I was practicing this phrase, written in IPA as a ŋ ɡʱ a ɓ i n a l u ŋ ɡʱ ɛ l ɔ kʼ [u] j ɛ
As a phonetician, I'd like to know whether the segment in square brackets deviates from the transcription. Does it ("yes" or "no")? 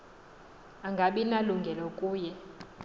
yes